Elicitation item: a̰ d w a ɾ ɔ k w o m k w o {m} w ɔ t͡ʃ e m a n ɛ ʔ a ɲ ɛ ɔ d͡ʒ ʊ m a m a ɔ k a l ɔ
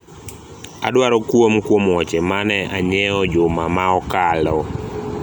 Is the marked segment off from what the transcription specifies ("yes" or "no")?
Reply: no